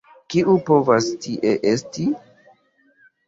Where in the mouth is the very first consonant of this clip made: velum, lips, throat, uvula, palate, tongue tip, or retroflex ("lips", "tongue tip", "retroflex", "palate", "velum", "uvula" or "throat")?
velum